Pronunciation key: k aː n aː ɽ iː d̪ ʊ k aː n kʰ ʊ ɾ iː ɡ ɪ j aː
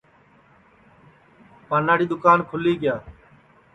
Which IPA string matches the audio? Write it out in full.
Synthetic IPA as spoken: p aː n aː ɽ iː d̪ ʊ k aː n kʰ ʊ l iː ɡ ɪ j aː